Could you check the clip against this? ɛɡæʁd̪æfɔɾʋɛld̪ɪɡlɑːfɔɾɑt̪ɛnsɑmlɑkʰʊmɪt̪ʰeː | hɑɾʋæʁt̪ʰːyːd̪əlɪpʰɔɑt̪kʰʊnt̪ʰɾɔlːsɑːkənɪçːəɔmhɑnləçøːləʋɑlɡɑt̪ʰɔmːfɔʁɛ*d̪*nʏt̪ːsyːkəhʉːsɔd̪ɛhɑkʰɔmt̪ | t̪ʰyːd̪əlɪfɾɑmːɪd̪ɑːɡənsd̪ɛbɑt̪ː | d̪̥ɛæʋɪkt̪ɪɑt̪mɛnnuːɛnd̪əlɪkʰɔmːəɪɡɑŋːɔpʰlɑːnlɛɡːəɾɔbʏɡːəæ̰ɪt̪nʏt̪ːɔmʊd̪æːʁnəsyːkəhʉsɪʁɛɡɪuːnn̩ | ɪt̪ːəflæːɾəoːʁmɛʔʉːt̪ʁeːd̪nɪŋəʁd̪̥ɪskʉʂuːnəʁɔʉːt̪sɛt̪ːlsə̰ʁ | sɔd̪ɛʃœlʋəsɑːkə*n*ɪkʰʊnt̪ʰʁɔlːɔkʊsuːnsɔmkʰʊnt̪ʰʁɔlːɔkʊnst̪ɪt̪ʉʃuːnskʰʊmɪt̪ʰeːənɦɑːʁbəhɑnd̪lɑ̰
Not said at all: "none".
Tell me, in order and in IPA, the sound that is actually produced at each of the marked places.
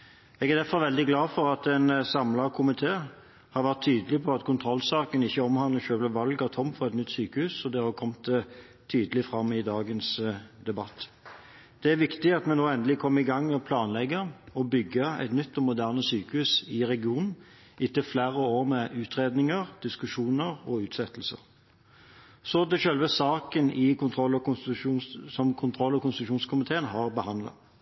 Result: t̪, n

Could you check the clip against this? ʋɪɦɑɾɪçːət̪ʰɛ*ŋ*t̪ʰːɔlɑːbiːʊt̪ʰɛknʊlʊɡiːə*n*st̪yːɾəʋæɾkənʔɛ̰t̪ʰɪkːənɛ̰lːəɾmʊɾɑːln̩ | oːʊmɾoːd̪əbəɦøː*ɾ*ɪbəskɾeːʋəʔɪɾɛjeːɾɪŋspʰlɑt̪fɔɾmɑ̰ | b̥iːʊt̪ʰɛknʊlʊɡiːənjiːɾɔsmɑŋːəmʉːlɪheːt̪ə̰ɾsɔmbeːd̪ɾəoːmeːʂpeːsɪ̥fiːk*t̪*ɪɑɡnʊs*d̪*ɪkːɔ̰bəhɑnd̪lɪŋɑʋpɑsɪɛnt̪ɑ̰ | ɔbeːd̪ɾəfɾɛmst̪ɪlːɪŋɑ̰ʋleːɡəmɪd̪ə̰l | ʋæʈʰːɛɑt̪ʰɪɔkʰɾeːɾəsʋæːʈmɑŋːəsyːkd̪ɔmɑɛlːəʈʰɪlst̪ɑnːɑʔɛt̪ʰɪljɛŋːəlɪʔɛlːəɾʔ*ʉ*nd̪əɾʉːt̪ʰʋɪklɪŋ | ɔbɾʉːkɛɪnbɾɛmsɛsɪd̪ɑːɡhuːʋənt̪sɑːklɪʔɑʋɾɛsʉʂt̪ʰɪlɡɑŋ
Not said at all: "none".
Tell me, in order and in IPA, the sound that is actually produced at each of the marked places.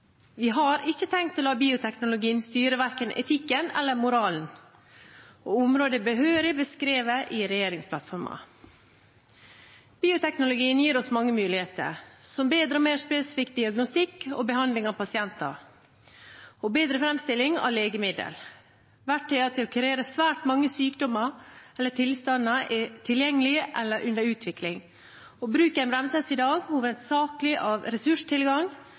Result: ŋ, n, ɾ, d̪, t̪, ʉ

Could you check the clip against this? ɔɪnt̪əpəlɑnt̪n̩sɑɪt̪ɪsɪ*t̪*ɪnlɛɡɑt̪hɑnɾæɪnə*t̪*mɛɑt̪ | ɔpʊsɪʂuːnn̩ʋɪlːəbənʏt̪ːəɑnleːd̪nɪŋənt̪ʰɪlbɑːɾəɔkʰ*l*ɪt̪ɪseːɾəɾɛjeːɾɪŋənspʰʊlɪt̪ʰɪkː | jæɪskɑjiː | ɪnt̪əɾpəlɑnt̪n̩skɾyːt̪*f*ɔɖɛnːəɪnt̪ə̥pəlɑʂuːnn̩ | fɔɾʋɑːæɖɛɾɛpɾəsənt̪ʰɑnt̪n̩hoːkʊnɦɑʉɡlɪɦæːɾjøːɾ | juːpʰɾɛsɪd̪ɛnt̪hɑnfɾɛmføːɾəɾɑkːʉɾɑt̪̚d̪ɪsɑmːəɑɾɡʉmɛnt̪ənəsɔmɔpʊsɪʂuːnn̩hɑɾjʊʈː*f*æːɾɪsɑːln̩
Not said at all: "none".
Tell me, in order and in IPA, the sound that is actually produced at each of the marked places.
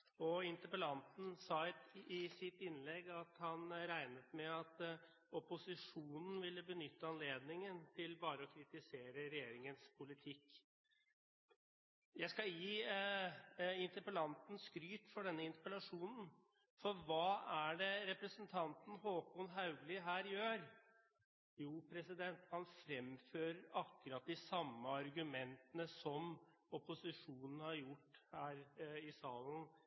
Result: t̪, t̪, ɾ, f, h

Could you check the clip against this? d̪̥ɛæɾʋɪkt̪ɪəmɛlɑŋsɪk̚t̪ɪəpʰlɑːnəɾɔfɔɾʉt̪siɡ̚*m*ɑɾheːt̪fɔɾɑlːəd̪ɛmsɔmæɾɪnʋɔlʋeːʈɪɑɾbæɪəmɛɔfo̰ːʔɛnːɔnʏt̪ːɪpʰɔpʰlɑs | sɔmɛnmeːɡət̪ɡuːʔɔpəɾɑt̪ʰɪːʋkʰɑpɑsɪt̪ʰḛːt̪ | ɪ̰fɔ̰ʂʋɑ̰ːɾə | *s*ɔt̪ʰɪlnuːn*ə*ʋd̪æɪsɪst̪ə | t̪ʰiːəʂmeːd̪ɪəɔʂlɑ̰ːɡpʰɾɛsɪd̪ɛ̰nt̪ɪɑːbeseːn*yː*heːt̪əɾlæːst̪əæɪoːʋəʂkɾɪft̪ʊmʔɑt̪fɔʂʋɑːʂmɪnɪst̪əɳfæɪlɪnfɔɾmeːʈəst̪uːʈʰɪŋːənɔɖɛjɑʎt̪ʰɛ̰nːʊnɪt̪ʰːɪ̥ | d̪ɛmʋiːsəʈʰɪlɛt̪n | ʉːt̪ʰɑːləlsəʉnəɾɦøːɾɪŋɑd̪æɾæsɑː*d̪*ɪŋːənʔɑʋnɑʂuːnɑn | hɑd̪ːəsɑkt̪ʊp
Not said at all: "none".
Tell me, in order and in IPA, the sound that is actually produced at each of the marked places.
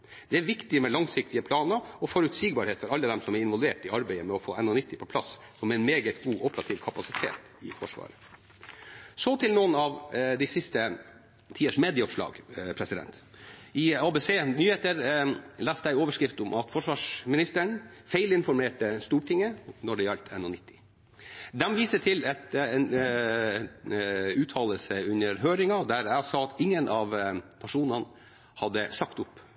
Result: b, s, ɑ, yː, t̪

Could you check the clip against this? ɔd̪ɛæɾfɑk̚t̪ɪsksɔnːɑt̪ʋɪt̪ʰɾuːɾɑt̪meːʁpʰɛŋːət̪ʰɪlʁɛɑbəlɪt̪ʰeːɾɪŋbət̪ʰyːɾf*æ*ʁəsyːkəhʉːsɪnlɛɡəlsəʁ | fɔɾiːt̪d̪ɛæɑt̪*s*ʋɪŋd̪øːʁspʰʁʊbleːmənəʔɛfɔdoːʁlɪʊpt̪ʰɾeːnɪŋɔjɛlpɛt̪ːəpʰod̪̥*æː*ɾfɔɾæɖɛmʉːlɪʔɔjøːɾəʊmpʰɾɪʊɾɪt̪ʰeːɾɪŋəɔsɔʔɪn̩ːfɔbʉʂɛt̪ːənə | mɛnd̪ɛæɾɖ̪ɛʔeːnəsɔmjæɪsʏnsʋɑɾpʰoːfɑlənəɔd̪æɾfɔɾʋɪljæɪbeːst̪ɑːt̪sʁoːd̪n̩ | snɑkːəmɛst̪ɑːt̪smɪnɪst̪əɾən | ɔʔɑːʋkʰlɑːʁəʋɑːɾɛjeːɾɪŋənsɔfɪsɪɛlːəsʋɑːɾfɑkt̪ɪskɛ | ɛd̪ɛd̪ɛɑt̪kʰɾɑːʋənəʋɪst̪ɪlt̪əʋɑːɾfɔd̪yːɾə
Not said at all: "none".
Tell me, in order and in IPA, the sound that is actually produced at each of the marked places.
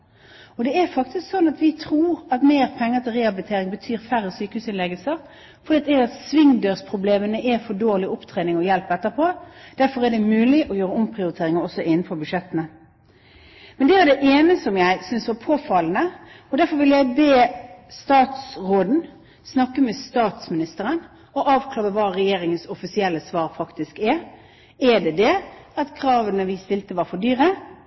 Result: æ, s, æ

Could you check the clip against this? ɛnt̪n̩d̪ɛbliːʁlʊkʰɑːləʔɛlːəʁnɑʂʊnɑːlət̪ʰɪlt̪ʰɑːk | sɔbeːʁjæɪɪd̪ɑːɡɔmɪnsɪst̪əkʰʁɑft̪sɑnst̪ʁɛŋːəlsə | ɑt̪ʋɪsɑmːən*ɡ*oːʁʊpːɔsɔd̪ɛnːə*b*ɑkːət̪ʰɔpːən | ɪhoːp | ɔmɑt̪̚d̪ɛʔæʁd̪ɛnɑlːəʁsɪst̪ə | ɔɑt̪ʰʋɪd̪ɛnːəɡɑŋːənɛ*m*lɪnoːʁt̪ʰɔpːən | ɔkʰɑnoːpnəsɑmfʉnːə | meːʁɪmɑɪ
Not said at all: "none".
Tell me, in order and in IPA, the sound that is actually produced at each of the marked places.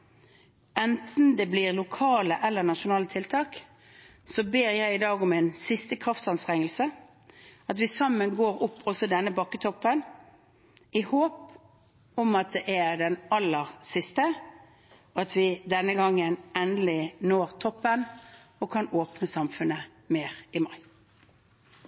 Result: ɡ, b, n

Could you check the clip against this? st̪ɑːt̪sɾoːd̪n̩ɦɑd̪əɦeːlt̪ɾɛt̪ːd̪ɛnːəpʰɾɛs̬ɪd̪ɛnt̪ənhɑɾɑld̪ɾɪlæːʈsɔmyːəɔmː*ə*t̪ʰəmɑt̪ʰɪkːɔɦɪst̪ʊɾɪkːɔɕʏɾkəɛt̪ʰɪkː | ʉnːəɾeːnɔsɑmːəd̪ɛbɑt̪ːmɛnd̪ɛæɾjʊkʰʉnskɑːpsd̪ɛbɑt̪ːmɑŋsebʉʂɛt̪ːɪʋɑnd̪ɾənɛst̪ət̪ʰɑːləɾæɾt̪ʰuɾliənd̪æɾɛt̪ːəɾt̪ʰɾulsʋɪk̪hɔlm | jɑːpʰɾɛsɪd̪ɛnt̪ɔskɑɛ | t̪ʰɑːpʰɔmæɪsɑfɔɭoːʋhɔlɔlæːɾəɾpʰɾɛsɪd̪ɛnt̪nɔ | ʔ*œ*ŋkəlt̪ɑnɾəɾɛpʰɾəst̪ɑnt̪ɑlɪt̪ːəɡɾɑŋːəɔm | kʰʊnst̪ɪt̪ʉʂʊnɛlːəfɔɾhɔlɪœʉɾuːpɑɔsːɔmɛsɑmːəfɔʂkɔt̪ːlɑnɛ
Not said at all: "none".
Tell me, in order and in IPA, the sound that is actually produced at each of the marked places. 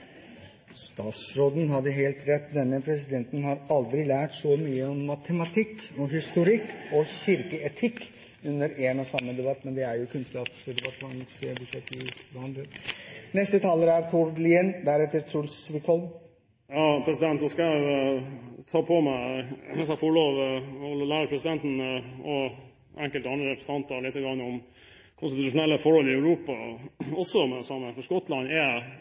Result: ɑ, ɛ

